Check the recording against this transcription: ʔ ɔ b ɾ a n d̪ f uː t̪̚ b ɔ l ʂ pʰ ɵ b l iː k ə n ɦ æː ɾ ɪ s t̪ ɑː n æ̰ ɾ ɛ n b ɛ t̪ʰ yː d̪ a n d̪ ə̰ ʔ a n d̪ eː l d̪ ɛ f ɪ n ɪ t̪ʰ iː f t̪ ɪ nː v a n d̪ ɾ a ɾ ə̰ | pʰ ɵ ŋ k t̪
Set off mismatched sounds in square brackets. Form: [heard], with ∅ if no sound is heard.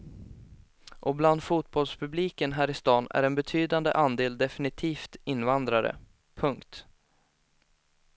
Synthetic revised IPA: ʔ ɔ b [l] a n d̪ f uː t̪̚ b ɔ l [s] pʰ ɵ b l iː k ə n ɦ æː ɾ ɪ s t̪ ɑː n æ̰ ɾ ɛ n b ɛ t̪ʰ yː d̪ a n d̪ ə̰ ʔ a n d̪ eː l d̪ ɛ f ɪ n ɪ t̪ʰ iː f t̪ ɪ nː v a n d̪ ɾ a ɾ ə̰ | pʰ ɵ ŋ k t̪